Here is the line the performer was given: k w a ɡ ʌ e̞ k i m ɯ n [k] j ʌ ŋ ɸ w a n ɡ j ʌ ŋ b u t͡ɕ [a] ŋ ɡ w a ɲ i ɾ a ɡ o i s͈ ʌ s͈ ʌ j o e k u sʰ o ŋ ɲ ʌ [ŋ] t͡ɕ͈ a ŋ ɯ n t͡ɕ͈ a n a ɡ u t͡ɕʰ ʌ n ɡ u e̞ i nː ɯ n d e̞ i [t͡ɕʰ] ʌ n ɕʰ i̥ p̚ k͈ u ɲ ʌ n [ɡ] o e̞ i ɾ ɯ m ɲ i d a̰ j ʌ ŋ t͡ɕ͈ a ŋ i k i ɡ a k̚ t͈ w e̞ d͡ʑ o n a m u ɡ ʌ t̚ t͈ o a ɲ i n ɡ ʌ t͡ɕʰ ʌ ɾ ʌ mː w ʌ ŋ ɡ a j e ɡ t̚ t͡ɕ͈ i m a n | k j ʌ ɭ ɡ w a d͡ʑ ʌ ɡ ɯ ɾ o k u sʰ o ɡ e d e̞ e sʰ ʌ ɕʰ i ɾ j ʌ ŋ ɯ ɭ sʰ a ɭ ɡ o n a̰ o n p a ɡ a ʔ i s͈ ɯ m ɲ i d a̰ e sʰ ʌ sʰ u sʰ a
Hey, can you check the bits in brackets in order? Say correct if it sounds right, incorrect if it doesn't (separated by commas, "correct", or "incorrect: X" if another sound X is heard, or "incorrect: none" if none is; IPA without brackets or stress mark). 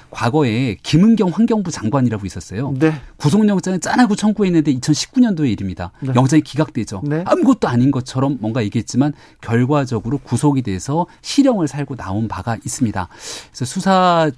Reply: incorrect: ɡ, correct, correct, correct, incorrect: d